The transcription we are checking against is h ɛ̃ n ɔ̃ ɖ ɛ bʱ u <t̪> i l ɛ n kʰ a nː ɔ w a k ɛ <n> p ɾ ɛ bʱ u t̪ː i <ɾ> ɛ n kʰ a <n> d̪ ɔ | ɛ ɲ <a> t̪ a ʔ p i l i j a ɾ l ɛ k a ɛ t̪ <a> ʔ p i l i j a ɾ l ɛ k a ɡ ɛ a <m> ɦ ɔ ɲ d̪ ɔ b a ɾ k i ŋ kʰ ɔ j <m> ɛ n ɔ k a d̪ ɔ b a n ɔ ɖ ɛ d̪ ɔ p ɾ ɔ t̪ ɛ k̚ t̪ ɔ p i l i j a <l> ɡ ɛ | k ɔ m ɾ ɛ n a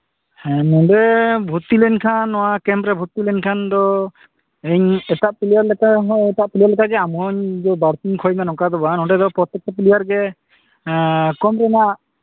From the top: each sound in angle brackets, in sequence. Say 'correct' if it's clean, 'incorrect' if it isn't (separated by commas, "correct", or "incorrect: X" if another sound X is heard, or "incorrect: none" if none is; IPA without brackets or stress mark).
correct, incorrect: m, incorrect: l, correct, incorrect: ɛ, correct, correct, correct, incorrect: ɾ